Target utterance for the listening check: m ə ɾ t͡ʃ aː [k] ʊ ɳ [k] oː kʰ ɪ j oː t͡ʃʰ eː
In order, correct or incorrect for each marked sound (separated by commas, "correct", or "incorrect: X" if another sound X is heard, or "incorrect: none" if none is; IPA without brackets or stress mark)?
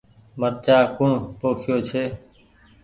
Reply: correct, incorrect: p